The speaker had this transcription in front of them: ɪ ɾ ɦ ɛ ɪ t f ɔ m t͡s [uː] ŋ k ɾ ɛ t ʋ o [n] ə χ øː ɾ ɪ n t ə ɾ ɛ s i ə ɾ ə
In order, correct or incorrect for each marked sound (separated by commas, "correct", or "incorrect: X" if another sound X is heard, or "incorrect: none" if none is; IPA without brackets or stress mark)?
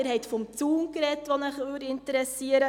correct, correct